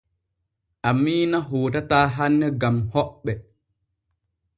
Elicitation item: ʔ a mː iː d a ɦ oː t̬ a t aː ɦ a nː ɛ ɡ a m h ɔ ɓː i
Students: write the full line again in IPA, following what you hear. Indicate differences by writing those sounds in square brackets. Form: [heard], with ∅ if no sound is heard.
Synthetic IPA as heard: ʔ a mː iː [n] a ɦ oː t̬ a t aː ɦ a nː ɛ ɡ a m h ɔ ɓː [ɛ]